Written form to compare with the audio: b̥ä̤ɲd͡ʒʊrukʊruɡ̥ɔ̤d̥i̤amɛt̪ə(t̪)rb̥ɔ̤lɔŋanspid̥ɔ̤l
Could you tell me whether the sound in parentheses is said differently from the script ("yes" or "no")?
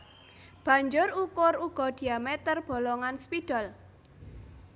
yes